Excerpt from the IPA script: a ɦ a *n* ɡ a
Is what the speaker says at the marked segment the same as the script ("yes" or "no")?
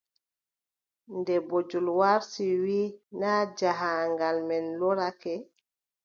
no